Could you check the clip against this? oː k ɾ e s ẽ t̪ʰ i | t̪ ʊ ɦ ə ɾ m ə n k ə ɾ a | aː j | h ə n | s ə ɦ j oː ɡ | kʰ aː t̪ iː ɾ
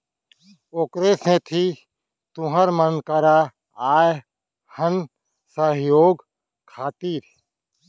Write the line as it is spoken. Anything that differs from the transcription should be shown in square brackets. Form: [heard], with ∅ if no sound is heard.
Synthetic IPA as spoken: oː k ɾ e s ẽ t̪ʰ i | t̪ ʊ ɦ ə ɾ m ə n k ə ɾ a | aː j | h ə n | s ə ɦ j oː ɡ | kʰ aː t̪ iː ɾ

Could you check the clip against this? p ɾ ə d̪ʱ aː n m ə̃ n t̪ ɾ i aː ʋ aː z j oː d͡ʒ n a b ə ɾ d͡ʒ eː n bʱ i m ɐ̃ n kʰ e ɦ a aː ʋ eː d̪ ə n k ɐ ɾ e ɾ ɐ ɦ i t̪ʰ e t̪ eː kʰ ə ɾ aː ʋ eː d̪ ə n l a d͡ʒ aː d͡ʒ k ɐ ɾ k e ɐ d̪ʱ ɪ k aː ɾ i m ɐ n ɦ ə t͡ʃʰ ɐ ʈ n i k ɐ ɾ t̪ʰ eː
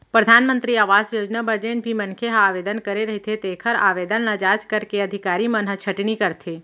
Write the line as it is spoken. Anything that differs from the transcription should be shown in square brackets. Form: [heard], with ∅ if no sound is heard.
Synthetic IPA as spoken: p ɾ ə d̪ʱ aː n m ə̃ n t̪ ɾ i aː ʋ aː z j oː d͡ʒ n a b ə ɾ d͡ʒ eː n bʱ i m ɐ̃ n kʰ e ɦ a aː ʋ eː d̪ ə n k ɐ ɾ e ɾ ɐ ɦ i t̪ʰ e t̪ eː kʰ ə ɾ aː ʋ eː d̪ ə n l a d͡ʒ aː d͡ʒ k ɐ ɾ k e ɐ d̪ʱ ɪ k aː ɾ i m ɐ n ɦ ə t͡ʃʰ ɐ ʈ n i k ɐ ɾ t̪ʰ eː

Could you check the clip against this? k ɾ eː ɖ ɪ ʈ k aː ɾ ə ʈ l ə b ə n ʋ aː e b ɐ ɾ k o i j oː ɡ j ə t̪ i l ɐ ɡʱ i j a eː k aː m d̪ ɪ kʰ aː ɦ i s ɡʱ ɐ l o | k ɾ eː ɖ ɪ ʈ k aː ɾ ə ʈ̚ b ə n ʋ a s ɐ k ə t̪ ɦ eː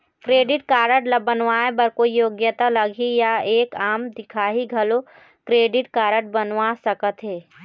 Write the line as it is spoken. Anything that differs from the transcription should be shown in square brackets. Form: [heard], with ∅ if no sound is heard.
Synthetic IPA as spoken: k ɾ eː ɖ ɪ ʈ k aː ɾ ə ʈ l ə b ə n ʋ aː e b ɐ ɾ k o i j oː ɡ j ə t̪ [a] l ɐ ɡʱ i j a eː k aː m d̪ ɪ kʰ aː ɦ i [∅] ɡʱ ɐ l o | k ɾ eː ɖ ɪ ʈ k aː ɾ ə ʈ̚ b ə n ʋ a s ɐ k ə t̪ ɦ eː

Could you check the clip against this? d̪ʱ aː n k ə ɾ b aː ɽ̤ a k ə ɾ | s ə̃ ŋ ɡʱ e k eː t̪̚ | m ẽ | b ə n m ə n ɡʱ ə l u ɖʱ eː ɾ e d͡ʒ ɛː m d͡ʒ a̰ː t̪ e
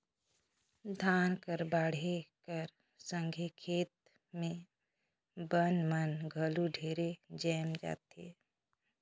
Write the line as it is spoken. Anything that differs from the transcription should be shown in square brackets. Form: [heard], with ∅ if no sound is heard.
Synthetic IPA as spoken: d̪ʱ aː n k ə ɾ b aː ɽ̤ [e] k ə ɾ | s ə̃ ŋ ɡʱ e [kʰ] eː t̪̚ | m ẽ | b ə n m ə n ɡʱ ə l u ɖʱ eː ɾ e d͡ʒ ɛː m d͡ʒ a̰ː t̪ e

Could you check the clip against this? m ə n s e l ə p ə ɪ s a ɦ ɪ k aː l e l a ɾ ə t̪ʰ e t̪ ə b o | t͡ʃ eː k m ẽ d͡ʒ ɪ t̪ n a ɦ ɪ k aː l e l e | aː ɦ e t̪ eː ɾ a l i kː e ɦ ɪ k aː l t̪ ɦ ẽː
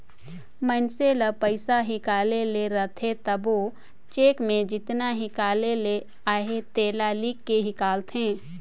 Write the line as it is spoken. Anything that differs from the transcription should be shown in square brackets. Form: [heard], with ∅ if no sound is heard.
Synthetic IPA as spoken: m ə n s e l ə p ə ɪ s a ɦ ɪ k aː l e l [e] ɾ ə t̪ʰ e t̪ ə b o | t͡ʃ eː k m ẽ d͡ʒ ɪ t̪ n a ɦ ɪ k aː l e l e | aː ɦ e t̪ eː [l] a l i kː e ɦ ɪ k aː l t̪ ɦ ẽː

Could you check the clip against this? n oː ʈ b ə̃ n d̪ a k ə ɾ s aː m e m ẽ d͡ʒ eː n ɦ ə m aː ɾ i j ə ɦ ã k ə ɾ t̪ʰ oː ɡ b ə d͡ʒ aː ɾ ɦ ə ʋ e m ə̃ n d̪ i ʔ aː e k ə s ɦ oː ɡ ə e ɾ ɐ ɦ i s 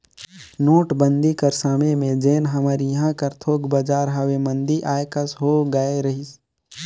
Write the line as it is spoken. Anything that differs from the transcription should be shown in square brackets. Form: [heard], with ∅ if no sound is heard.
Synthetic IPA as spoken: n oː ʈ b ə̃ n d̪ [i] k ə ɾ s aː m e m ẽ d͡ʒ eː n ɦ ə m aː ɾ i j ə ɦ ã k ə ɾ t̪ʰ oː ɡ b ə d͡ʒ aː ɾ ɦ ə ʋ e m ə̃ n d̪ i ʔ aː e k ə s ɦ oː ɡ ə e ɾ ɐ ɦ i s

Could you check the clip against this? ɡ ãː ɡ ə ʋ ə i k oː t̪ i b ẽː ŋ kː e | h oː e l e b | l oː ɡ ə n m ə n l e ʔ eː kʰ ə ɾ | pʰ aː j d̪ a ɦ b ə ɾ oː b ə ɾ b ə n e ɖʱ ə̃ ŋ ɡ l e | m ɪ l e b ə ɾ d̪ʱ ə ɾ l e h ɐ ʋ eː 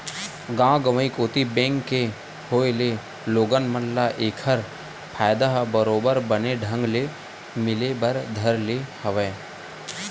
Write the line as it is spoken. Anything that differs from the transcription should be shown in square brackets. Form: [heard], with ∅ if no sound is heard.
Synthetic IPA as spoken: ɡ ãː ɡ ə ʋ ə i k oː t̪ i b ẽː ŋ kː e | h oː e l e [∅] | l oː ɡ ə n m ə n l [a] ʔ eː kʰ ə ɾ | pʰ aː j d̪ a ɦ b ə ɾ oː b ə ɾ b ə n e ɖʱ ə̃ ŋ ɡ l e | m ɪ l e b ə ɾ d̪ʱ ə ɾ l e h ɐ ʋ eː

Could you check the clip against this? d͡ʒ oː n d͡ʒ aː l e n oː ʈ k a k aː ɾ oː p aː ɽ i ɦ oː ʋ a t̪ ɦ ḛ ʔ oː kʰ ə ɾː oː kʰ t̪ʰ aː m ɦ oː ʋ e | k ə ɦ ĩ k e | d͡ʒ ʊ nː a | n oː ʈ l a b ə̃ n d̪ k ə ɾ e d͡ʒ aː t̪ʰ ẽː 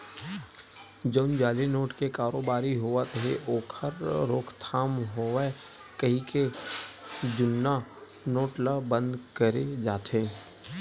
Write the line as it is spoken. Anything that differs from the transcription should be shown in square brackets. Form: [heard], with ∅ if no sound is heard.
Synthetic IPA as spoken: d͡ʒ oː n d͡ʒ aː l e n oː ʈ k [e] k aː ɾ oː [b] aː [ɾ] i ɦ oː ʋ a t̪ ɦ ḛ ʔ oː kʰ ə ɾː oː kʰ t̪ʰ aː m ɦ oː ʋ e | k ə ɦ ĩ k e | d͡ʒ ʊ nː a | n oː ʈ l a b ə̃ n d̪ k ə ɾ e d͡ʒ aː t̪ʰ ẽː

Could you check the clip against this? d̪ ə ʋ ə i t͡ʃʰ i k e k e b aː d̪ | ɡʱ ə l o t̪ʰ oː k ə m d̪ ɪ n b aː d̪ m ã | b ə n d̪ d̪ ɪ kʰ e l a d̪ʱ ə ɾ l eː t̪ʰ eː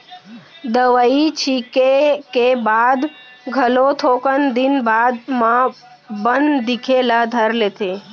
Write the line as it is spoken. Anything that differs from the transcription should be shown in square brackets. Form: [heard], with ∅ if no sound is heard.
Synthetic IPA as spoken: d̪ ə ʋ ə i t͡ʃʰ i k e k e b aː d̪ | ɡʱ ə l o t̪ʰ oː k ə [n] d̪ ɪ n b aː d̪ m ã | b ə n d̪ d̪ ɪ kʰ e l a d̪ʱ ə ɾ l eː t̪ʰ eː

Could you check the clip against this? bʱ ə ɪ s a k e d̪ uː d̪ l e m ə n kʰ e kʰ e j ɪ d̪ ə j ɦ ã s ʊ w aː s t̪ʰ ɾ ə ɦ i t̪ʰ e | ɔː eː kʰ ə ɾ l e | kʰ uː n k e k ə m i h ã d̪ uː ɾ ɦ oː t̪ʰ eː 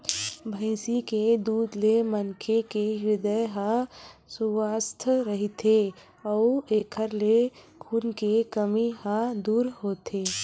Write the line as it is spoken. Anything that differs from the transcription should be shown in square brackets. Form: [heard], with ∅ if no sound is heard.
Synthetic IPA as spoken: bʱ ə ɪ s [i] k e d̪ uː d̪ l e m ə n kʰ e [k] e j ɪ d̪ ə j ɦ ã s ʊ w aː s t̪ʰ ɾ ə ɦ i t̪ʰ e | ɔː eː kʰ ə ɾ l e | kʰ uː n k e k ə m i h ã d̪ uː ɾ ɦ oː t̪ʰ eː

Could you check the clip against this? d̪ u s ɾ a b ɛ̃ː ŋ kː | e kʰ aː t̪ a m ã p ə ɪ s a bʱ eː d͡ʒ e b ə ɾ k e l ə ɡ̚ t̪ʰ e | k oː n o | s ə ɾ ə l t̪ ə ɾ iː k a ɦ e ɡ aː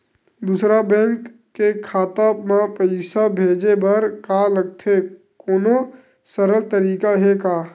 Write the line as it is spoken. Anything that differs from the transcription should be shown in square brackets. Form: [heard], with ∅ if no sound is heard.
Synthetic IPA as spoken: d̪ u s ɾ a b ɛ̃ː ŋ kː | e kʰ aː t̪ a m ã p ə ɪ s a bʱ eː d͡ʒ e b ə ɾ k [a] l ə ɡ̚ t̪ʰ e | k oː n o | s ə ɾ ə l t̪ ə ɾ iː k a ɦ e [k] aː

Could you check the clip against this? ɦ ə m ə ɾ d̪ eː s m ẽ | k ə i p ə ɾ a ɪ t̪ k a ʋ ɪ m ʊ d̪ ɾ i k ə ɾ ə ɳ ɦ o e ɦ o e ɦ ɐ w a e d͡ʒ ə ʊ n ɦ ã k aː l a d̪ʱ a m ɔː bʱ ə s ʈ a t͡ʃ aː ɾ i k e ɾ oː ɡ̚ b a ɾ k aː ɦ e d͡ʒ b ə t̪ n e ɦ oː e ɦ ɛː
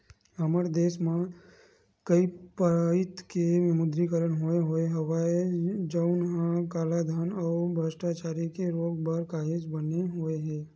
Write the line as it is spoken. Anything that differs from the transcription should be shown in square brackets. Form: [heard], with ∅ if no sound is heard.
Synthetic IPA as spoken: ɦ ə m ə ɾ d̪ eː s m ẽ | k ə i p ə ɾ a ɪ t̪ k [e] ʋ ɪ m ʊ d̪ ɾ i k ə ɾ ə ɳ ɦ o e ɦ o e ɦ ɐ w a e d͡ʒ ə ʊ n ɦ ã k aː l a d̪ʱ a [n] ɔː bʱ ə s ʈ a t͡ʃ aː ɾ i k e ɾ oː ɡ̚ b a ɾ k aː ɦ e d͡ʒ b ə [∅] n e ɦ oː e ɦ ɛː

